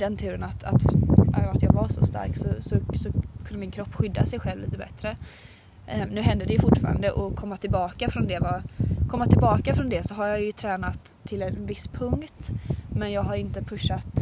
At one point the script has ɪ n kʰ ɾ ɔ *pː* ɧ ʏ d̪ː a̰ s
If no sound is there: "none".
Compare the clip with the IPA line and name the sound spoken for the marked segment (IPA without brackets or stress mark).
pː